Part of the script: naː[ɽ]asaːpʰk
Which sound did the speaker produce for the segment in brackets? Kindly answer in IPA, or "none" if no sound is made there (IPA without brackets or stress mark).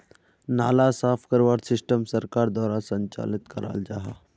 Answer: l